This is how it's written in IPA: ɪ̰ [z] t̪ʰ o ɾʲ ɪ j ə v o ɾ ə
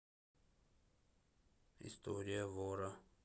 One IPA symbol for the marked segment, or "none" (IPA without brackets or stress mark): s